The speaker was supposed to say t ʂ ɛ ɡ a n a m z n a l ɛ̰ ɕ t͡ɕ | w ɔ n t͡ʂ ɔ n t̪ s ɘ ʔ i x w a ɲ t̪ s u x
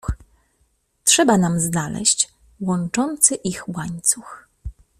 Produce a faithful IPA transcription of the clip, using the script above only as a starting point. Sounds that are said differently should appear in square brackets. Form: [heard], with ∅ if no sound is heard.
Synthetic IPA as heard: t ʂ ɛ [b] a n a m z n a l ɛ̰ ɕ t͡ɕ | w ɔ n t͡ʂ ɔ n t̪ s ɘ ʔ i x w a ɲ t̪ s u x